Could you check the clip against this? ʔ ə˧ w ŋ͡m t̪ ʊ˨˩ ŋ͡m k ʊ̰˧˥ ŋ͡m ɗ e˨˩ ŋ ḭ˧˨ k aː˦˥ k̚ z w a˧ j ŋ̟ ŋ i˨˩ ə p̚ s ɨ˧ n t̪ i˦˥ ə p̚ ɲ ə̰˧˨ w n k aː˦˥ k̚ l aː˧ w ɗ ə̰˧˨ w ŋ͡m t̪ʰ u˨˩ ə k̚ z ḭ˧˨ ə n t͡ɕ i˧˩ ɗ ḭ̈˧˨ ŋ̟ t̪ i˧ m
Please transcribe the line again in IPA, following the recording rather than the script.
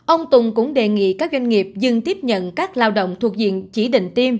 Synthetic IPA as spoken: ʔ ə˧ w ŋ͡m t̪ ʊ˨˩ ŋ͡m k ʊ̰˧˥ ŋ͡m ɗ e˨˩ ŋ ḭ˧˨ k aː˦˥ k̚ z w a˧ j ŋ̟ ŋ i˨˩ ə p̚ z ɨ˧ ŋ t̪ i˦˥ ə p̚ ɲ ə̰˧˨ n k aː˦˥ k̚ l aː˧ w ɗ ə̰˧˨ w ŋ͡m t̪ʰ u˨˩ ə k̚ z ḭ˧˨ ə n t͡ɕ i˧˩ ɗ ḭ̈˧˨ ŋ̟ t̪ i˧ m

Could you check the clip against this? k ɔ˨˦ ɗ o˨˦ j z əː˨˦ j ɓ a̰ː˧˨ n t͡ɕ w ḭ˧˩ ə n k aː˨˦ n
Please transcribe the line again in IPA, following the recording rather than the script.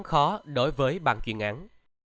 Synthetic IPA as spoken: x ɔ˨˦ ɗ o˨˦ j v əː˨˦ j ɓ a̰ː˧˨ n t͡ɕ w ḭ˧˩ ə n ʔ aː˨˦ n

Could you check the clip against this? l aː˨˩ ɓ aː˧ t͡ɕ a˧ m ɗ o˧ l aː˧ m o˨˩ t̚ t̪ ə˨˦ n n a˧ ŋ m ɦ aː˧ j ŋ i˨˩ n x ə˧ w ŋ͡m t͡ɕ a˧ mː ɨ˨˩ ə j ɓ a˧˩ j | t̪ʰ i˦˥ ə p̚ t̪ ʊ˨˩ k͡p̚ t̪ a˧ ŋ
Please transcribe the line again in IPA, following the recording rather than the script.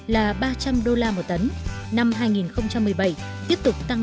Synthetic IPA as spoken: l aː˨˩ ɓ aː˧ t͡ɕ a˧ m ɗ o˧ l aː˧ m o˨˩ t̚ t̪ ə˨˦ n n a˧ m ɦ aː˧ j ŋ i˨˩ n x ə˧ w ŋ͡m t͡ɕ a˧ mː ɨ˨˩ ə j ɓ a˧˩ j | t̪ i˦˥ ə p̚ t̪ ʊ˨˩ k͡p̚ t̪ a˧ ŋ

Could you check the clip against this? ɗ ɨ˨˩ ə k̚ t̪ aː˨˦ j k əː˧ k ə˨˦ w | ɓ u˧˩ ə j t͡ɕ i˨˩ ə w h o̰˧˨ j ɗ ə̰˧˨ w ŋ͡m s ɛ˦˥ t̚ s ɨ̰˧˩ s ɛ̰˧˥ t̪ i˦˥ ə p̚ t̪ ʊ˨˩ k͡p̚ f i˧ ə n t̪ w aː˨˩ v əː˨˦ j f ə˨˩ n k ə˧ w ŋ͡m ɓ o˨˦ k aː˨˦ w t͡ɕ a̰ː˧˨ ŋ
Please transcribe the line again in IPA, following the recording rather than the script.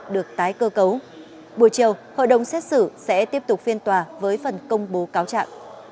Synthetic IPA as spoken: ɗ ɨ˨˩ ə k̚ t̪ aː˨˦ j k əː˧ k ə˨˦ w | ɓ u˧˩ ə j t͡ɕ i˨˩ ə w h o̰˧˨ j ɗ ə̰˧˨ w ŋ͡m s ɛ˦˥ t̚ s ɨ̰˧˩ s ɛ̰˧˥ t̪ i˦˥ ə p̚ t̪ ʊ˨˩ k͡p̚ f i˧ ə n t̪ w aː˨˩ v əː˨˦ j f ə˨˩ n k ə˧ w ŋ͡m ɓ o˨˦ k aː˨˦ w t͡ɕ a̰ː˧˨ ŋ

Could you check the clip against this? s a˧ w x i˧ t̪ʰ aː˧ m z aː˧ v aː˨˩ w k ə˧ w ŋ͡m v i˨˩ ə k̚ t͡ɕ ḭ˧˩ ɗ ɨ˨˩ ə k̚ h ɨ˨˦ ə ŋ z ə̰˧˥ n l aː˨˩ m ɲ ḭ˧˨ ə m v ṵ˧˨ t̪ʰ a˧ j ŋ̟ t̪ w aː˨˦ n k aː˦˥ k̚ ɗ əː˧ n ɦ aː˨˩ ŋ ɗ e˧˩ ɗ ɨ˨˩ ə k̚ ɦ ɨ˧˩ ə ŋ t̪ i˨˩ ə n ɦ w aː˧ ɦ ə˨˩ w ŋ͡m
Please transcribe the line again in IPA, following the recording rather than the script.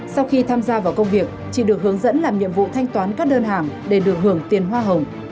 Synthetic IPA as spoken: s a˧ w x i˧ t̪ʰ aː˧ m z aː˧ v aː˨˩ w k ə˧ w ŋ͡m v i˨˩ ə k̚ t͡ɕ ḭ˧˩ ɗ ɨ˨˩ ə k̚ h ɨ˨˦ ə ŋ z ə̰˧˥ n l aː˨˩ m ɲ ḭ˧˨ ə m v ṵ˧˨ t̪ʰ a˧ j ŋ̟ t̪ w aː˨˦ n k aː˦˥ k̚ ɗ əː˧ n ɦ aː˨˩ ŋ ɗ e˧˩ ɗ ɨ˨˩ ə k̚ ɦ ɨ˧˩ ə ŋ t̪ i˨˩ ə n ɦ w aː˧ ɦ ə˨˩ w ŋ͡m

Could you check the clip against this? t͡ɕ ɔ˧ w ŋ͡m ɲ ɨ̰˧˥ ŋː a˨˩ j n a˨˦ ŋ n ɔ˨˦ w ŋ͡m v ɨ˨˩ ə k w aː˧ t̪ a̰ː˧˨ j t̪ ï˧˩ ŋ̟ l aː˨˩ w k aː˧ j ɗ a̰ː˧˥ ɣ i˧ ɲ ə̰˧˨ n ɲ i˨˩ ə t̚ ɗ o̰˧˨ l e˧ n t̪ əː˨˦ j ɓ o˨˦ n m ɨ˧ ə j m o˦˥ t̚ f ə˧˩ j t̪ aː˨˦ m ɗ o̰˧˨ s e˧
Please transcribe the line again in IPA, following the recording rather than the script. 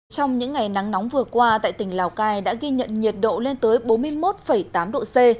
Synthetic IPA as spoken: t͡ɕ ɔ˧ w ŋ͡m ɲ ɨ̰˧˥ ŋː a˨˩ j n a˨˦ ŋ n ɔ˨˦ w ŋ͡m v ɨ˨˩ ə k w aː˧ t̪ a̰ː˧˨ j t̪ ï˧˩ ŋ̟ l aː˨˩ w k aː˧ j ɗ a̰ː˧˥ ɣ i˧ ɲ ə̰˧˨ n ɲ i˨˩ ə t̚ ɗ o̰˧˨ l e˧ n t̪ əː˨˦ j ɓ o˨˦ n m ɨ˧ ə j m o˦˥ t̚ f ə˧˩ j t̪ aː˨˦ m ɗ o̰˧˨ s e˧

